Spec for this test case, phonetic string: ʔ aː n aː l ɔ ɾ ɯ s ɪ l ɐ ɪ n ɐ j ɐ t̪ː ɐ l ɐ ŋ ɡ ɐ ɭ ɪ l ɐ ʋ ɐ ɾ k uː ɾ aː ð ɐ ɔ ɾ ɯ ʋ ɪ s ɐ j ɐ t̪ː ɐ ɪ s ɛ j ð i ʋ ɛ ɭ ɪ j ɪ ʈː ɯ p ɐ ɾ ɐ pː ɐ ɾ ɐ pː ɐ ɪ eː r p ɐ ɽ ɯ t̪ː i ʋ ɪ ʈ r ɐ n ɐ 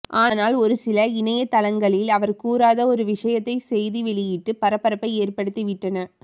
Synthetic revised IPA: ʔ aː n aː l ɔ ɾ ɯ s ɪ l ɐ ɪ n ɐ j ɐ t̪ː ɐ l ɐ ŋ ɡ ɐ ɭ ɪ l ɐ ʋ ɐ ɾ k uː ɾ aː ð ɐ ɔ ɾ ɯ ʋ ɪ ʂ ɐ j ɐ t̪ː ɐ ɪ s ɛ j ð i ʋ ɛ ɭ ɪ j ɪ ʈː ɯ p ɐ ɾ ɐ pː ɐ ɾ ɐ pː ɐ ɪ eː r p ɐ ɽ ɯ t̪ː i ʋ ɪ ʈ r ɐ n ɐ